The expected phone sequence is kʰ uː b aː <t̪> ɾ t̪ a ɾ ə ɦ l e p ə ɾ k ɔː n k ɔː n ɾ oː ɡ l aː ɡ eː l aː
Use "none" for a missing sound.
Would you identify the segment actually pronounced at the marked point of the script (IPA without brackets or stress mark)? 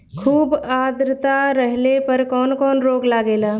d̪